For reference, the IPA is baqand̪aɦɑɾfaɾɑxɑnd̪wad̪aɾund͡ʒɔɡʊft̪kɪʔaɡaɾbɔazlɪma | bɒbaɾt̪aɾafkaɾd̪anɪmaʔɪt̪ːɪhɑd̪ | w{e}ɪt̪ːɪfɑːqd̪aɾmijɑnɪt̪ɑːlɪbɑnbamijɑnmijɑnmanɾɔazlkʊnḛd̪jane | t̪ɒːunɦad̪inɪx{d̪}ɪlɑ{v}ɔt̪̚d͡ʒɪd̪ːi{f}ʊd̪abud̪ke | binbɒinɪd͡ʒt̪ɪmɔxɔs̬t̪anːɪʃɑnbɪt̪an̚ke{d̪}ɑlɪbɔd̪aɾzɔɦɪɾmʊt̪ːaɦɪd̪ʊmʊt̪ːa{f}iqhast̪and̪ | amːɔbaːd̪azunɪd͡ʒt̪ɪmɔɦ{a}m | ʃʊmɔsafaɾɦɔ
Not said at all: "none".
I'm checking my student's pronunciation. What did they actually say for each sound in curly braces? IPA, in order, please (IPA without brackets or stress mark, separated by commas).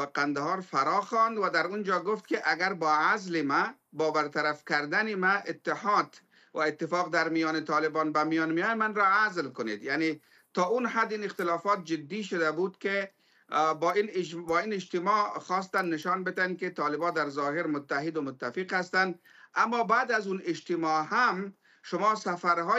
a, t̪, f, ʃ, t̪, f, a